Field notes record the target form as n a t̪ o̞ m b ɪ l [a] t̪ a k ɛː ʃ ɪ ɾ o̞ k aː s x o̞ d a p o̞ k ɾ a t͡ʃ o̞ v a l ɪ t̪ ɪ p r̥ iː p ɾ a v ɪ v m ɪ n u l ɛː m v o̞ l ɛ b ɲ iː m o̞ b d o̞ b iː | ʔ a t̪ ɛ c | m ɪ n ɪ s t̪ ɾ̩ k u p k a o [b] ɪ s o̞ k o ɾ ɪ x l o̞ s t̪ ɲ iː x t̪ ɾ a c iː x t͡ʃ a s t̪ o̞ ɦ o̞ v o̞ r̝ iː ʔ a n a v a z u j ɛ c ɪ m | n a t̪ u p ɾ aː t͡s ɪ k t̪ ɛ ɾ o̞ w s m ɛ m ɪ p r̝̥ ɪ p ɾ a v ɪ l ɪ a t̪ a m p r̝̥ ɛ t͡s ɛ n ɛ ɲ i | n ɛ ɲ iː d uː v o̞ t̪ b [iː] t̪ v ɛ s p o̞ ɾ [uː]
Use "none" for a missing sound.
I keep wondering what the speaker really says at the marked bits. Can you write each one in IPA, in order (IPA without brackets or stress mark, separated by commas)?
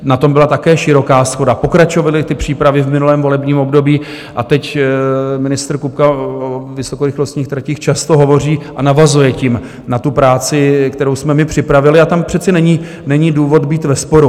a, v, iː, u